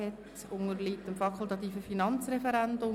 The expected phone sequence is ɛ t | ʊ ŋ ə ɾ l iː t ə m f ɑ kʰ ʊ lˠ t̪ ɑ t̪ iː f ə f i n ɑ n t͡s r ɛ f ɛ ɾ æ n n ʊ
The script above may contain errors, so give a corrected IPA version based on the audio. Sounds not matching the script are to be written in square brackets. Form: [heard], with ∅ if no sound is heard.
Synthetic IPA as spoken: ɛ t | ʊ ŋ ə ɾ l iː t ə m f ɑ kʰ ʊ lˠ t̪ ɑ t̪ iː f ə f i n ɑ n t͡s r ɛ f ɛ ɾ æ n [d] ʊ